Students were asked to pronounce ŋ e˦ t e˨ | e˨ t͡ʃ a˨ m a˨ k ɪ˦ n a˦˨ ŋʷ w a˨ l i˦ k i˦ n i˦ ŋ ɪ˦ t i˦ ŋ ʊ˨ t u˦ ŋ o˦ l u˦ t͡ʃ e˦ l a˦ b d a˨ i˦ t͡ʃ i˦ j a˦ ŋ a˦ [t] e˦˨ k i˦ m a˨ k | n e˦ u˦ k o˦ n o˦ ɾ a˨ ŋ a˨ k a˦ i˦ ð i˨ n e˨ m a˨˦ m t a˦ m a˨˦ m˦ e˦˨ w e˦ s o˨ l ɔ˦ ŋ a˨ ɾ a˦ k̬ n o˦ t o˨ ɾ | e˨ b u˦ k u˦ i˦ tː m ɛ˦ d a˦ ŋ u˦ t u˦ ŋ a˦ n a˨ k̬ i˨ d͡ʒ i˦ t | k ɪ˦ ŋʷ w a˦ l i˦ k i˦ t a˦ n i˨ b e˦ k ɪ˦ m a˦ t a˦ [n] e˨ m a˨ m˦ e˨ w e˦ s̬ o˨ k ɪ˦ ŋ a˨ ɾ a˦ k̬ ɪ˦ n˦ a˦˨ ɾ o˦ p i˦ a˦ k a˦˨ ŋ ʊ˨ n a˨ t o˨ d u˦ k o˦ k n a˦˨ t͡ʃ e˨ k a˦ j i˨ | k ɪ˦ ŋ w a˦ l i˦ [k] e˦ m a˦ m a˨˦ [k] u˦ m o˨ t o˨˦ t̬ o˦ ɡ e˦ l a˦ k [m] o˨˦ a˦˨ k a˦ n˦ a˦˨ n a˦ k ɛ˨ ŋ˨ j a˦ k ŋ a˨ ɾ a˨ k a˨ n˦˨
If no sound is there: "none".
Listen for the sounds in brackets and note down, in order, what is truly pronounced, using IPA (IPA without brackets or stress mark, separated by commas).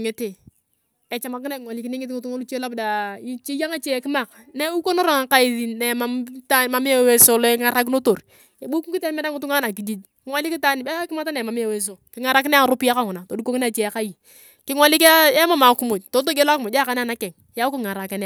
t͡ʃ, n, k, k, m